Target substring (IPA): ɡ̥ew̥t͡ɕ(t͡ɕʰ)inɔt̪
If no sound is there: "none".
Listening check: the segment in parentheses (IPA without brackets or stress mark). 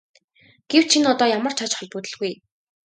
t͡ɕʰ